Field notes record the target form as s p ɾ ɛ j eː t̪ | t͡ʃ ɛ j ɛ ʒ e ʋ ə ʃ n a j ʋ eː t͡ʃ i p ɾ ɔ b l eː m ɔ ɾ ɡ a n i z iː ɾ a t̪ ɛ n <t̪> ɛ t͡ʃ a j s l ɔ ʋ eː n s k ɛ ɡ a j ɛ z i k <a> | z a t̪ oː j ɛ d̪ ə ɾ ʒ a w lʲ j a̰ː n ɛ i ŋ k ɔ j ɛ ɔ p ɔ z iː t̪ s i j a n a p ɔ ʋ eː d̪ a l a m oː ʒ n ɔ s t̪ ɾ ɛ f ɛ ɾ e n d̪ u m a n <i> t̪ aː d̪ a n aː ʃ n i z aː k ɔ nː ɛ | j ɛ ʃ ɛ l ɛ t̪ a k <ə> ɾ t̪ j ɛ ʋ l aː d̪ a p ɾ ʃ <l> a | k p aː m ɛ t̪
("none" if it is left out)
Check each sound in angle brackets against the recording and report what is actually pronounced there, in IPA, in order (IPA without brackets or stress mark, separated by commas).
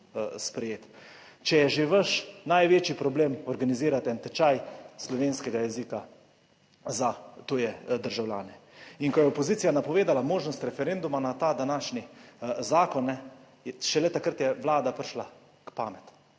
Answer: t̪, a, a, ə, l